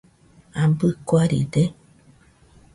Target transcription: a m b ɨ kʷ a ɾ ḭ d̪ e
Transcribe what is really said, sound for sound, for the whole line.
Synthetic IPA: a m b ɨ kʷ a ɾ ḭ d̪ e